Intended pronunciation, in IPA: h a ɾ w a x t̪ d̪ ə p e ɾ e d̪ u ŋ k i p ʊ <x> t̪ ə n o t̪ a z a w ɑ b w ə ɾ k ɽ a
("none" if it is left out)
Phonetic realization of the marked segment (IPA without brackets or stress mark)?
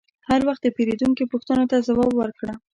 x